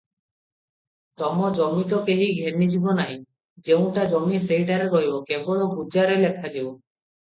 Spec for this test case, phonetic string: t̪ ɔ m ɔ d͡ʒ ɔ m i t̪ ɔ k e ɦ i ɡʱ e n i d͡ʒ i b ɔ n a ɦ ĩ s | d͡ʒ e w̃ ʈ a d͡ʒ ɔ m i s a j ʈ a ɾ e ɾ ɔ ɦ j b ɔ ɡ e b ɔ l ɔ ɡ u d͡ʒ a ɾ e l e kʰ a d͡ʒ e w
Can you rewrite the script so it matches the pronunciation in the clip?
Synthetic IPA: t̪ ɔ m ɔ d͡ʒ ɔ m i t̪ ɔ k e ɦ i ɡʱ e n i d͡ʒ i b ɔ n a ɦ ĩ | d͡ʒ e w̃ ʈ a d͡ʒ ɔ m i s e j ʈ a ɾ e ɾ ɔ ɦ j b ɔ k e b ɔ ɭ ɔ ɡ u d͡ʒ a ɾ e l e kʰ a d͡ʒ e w

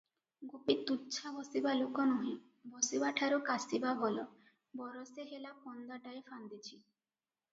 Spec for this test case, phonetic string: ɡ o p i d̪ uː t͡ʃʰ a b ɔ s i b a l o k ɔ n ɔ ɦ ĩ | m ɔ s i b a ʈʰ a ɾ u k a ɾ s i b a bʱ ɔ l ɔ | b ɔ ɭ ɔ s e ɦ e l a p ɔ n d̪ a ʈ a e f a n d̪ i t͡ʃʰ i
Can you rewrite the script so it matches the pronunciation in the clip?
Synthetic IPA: ɡ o p i t̪ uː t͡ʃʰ a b ɔ s i b a l o k ɔ n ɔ ɦ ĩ | b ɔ s i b a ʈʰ a ɾ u k a s i b a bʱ ɔ l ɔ | b ɔ ɾ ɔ s e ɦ e l a p ɔ n d̪ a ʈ a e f a n d̪ i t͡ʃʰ i

